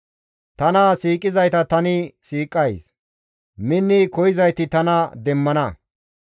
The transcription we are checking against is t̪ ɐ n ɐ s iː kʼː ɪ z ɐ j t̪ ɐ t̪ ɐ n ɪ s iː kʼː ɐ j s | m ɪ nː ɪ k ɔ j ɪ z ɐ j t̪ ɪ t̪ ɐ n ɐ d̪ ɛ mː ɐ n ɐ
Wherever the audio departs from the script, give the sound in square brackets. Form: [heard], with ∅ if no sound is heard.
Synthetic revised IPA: t̪ ɐ n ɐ s iː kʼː ɪ z ɐ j t̪ ɐ t̪ ɐ n ɪ s iː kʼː ɐ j s | m ɪ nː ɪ k ɔ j ɪ z ɐ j t̪ ɪ t̪ ɐ n ɐ d̪ ɛ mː ɐ n ɐ